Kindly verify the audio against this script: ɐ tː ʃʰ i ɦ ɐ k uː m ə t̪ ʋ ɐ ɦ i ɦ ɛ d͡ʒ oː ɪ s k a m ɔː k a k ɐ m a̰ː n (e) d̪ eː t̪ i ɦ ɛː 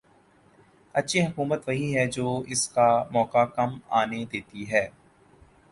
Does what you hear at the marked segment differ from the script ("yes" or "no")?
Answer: no